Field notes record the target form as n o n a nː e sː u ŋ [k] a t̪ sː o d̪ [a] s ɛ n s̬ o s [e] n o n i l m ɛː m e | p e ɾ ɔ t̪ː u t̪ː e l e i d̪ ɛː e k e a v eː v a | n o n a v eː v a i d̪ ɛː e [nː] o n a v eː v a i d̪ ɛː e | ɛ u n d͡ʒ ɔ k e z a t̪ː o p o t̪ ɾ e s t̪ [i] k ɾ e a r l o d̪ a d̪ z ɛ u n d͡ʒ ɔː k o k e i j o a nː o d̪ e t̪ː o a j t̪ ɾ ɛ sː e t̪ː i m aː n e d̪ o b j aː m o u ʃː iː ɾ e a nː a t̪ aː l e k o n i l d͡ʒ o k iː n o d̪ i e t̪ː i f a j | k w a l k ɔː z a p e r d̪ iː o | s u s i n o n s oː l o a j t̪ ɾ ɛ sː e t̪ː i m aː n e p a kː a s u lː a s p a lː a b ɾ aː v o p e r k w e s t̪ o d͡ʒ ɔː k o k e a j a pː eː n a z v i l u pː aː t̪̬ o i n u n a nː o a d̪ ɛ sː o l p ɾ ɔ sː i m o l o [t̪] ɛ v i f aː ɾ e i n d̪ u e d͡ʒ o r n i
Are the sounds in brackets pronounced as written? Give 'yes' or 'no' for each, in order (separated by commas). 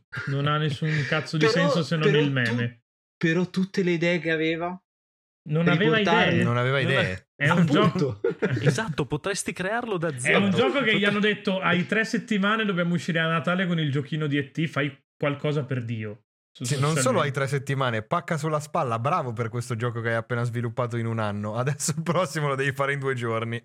yes, no, yes, no, yes, no